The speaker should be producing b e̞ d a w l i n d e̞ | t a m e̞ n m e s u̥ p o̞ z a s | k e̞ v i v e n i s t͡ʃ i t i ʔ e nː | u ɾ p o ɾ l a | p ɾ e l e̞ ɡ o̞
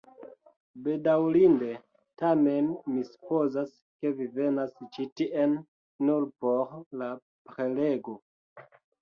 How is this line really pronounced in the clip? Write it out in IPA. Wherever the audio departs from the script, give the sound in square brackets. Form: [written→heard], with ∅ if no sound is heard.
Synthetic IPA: b e̞ d a w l i n d e̞ | t a m e̞ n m [e→i] s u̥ p o̞ z a s | k e̞ v i v e n [i→a] s t͡ʃ i t i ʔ e nː | u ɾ p o ɾ l a | p ɾ e l e̞ ɡ o̞